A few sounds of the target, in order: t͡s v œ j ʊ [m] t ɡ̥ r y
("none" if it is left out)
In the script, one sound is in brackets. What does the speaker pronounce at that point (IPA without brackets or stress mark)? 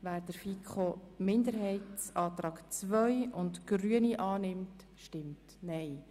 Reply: n